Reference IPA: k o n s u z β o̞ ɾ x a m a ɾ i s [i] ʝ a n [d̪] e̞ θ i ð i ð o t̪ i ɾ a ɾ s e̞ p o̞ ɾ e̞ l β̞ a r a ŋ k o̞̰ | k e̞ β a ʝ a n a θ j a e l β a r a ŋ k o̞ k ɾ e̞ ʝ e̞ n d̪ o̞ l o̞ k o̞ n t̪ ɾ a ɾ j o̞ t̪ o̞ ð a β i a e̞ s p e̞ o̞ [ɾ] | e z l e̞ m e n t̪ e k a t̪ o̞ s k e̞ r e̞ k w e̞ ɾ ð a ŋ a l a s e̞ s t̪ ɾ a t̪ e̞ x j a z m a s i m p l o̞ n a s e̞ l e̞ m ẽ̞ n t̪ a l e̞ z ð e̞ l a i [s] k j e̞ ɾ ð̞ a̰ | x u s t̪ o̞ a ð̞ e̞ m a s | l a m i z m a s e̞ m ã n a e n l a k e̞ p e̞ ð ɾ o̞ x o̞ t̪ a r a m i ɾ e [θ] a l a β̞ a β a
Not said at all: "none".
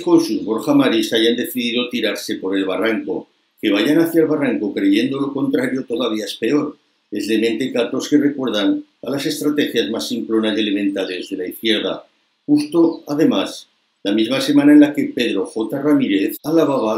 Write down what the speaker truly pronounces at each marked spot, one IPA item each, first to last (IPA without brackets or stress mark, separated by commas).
a, d̪, ɾ, θ, θ